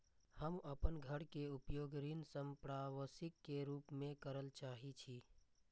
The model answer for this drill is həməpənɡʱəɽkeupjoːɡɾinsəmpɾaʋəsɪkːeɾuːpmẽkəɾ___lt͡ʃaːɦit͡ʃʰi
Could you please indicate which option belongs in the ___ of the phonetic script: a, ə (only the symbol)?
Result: ə